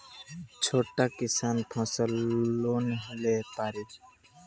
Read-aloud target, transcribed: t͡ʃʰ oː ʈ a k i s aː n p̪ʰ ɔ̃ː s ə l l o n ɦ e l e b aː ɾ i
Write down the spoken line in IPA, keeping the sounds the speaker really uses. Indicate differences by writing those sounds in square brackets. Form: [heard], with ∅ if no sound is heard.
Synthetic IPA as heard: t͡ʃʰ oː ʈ a k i s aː n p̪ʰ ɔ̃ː s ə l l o n ɦ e l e [p] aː ɾ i